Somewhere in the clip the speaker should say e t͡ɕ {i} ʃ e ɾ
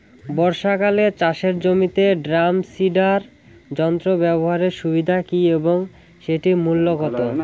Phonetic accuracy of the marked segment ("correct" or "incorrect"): incorrect